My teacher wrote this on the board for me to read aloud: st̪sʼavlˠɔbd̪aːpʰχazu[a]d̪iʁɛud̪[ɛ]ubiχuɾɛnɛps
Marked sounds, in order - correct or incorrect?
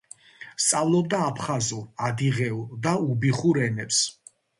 correct, incorrect

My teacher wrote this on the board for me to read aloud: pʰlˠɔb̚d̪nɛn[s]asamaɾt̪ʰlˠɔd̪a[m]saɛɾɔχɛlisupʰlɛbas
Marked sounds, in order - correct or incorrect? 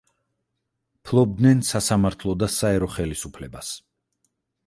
correct, incorrect

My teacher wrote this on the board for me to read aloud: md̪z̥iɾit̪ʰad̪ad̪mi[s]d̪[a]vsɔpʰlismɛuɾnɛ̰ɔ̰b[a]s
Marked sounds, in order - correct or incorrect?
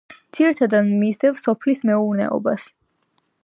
incorrect, incorrect, correct

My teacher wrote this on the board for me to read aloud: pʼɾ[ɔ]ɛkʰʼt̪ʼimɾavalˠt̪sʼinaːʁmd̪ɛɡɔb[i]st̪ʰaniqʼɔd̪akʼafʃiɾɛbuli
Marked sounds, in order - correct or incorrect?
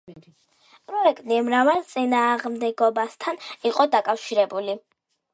correct, incorrect

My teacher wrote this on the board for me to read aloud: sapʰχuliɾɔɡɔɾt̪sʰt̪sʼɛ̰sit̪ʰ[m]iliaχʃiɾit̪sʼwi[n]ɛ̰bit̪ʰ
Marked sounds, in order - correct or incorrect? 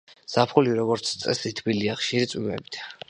incorrect, incorrect

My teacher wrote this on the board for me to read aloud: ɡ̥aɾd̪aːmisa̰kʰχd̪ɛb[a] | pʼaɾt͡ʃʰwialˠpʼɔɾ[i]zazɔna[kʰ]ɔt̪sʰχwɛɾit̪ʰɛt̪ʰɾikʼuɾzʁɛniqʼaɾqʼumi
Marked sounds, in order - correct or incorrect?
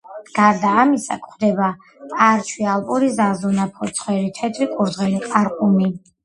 correct, correct, incorrect

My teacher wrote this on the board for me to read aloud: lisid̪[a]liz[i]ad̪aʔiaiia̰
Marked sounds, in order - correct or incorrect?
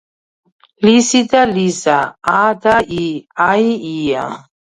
correct, incorrect

